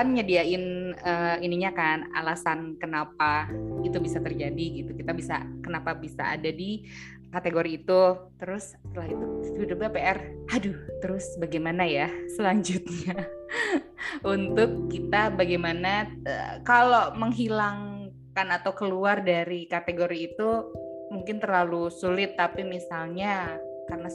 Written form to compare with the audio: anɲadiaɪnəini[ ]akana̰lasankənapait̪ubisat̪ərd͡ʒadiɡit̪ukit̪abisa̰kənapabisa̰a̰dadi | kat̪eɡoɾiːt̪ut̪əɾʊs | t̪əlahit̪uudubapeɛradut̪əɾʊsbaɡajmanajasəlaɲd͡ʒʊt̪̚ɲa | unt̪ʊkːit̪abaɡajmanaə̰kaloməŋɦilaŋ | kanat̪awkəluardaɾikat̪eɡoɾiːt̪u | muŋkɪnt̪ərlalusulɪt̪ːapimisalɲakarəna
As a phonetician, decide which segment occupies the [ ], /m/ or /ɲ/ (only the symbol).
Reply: ɲ